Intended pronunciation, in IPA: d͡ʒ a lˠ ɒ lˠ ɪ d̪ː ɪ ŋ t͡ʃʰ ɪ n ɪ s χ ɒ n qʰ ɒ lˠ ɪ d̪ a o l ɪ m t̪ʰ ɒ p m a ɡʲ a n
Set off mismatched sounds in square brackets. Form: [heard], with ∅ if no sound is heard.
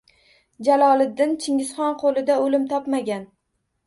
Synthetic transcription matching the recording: d͡ʒ a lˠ ɒ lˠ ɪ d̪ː ɪ [n] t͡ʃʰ ɪ [ŋ] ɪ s χ ɒ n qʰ [o] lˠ ɪ d̪ a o l ɪ m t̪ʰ ɒ p m a ɡʲ a n